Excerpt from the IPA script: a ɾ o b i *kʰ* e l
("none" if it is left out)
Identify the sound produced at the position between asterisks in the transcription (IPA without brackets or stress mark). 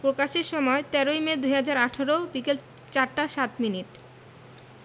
k